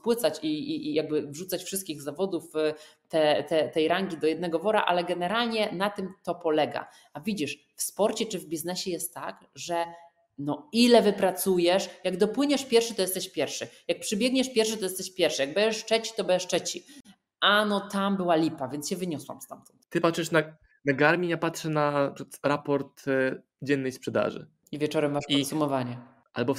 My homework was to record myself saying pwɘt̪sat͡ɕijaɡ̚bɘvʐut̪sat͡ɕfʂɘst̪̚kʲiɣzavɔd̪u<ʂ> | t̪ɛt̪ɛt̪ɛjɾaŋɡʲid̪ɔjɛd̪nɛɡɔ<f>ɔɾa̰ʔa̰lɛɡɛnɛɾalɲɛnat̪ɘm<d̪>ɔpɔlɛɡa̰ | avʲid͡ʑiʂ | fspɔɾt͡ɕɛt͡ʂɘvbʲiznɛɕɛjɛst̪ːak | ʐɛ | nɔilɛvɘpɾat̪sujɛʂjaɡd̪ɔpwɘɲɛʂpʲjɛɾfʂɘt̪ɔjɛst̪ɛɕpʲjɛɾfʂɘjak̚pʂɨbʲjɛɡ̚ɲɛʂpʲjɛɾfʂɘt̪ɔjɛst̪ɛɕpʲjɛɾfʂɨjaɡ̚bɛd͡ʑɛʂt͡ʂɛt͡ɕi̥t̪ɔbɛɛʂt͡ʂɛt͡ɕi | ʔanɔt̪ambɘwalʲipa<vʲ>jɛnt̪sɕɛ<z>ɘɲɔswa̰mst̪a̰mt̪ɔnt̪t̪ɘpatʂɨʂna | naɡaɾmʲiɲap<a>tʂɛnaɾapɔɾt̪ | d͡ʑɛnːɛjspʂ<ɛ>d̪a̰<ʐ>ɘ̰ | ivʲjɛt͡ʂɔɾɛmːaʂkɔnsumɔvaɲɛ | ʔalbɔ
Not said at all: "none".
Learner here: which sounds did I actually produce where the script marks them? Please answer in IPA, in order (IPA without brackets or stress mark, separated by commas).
f, v, t̪, vʲ, v, a, ɛ, ʐ